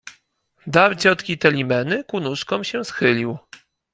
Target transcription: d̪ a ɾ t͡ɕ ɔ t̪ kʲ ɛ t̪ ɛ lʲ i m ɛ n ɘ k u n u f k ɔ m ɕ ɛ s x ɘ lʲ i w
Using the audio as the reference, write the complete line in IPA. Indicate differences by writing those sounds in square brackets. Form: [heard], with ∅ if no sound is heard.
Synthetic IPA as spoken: d̪ a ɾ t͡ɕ ɔ t̪ kʲ [i] t̪ ɛ lʲ i m ɛ n ɘ k u n u [ʂ] k ɔ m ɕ ɛ s x ɘ lʲ i w